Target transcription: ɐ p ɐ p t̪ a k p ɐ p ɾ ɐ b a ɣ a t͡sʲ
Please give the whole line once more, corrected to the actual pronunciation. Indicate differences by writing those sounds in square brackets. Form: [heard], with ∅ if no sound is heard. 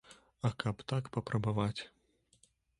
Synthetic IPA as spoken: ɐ [k] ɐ p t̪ a k p ɐ p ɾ ɐ b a [v] a t͡sʲ